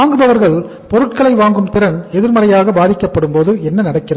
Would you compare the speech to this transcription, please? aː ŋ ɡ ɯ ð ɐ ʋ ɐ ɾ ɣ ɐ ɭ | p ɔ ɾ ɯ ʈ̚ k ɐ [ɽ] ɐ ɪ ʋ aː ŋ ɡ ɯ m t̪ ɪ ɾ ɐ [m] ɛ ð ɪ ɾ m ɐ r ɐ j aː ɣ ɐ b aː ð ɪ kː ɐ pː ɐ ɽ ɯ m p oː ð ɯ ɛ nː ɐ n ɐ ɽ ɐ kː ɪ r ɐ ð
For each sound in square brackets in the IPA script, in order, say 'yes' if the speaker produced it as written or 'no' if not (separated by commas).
no, no